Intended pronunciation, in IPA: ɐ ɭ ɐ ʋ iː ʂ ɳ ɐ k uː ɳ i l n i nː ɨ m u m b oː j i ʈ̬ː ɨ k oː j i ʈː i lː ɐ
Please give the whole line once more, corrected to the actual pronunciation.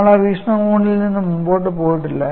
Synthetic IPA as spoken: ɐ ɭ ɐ ʋ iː ʂ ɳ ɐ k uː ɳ i l n i nː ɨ m u m b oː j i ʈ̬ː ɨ p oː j i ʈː i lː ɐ